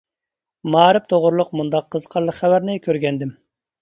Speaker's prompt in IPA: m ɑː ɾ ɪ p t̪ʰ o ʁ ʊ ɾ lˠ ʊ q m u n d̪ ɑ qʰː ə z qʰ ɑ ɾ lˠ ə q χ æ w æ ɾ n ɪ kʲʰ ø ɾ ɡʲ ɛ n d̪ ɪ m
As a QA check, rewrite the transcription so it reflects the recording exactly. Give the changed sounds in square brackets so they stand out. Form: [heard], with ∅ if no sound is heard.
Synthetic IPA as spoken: m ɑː ɾ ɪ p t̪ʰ o ʁ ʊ ɾ lˠ ʊ q m u n d̪ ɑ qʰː ə z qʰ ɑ ɾ lˠ ə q χ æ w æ ɾ n ɪ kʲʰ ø ɾ ɡʲ ɛ n d̪ ɪ m